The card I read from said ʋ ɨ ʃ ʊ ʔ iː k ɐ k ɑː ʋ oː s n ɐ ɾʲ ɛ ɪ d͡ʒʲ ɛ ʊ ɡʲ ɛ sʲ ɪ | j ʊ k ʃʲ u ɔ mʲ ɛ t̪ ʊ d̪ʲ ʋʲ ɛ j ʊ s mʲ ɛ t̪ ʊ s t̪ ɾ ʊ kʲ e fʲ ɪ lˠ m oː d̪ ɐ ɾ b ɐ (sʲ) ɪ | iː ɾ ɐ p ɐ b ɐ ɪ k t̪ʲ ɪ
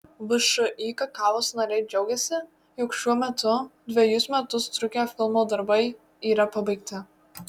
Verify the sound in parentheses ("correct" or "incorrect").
incorrect